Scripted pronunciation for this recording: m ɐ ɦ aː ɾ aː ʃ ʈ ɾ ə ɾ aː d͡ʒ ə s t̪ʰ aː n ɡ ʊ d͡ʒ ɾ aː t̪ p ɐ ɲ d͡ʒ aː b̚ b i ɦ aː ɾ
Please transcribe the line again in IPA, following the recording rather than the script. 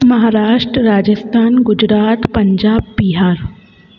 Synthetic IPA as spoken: m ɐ ɦ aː ɾ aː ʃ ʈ ɾ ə ɾ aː d͡ʒ ə s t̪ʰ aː n ɡ ʊ d͡ʒ ɾ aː t̪ p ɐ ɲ d͡ʒ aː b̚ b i ɦ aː ɾ